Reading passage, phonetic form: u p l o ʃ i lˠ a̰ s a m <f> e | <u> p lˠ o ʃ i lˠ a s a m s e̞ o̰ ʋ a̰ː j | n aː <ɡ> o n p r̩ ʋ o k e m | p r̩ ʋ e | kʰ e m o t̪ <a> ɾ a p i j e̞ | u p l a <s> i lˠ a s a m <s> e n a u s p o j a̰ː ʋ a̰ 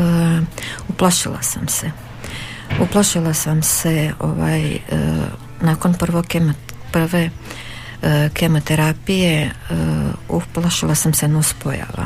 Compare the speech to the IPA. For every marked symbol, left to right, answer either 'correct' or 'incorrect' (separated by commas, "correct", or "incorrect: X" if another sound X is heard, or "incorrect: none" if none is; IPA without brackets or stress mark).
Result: incorrect: s, correct, incorrect: k, incorrect: e, incorrect: ʃ, correct